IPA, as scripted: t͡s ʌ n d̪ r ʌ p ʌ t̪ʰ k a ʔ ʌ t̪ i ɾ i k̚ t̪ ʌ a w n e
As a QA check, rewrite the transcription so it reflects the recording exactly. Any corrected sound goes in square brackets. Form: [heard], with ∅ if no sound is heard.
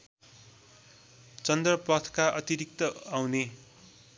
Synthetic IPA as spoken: t͡s ʌ n d̪ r ʌ p ʌ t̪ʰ k a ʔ ʌ t̪ i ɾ i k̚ t̪ ʌ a w n e